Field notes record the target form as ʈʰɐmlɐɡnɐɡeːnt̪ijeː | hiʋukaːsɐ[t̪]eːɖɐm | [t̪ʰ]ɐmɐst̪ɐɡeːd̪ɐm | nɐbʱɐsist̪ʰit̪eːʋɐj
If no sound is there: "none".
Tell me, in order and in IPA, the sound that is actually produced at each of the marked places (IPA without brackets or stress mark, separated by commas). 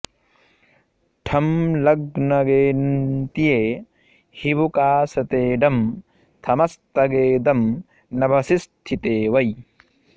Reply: t̪, t̪ʰ